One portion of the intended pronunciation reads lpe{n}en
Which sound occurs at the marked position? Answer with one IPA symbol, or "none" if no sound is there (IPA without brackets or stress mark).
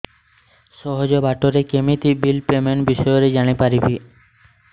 m